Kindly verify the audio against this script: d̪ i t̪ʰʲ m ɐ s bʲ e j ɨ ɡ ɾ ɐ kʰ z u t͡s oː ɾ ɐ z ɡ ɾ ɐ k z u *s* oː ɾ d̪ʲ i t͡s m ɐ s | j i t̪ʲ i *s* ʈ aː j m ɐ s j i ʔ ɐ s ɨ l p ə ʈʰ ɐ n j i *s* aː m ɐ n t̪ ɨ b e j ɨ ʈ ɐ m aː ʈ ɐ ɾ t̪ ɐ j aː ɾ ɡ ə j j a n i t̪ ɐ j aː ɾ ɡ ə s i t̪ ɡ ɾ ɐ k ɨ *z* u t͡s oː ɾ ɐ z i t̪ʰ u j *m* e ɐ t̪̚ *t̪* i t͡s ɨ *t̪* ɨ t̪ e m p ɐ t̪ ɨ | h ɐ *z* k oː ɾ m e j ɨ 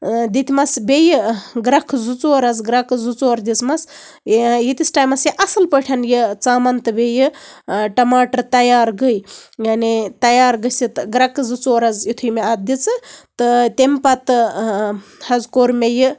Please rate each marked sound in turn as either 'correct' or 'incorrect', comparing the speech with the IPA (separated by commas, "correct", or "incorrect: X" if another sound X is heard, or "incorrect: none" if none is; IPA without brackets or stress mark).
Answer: incorrect: t͡s, correct, incorrect: t͡s, correct, correct, incorrect: d̪, correct, correct